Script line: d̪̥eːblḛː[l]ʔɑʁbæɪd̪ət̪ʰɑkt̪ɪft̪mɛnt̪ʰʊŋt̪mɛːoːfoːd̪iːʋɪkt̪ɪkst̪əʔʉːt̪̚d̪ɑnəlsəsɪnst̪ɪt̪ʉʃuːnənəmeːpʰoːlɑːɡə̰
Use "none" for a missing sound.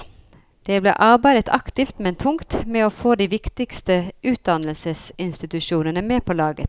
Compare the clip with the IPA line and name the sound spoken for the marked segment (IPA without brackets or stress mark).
none